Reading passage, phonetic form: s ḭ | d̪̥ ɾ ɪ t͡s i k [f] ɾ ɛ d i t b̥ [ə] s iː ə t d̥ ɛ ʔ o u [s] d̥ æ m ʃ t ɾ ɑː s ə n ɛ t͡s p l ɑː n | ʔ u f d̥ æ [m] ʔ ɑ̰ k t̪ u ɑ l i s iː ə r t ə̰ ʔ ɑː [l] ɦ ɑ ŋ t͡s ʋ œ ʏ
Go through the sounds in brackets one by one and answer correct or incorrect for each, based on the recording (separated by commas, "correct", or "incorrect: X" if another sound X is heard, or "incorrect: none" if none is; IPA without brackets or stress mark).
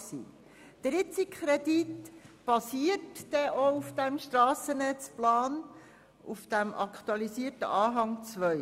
incorrect: χ, incorrect: ɑ, incorrect: f, correct, incorrect: none